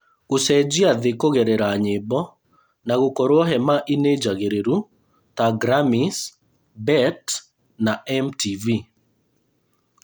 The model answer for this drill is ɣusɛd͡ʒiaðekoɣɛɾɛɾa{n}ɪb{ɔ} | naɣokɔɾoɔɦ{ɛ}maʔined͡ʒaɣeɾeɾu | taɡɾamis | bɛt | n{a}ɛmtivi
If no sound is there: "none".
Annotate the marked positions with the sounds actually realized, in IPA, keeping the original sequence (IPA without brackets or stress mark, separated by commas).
ɲ, ɔ, ɛ, a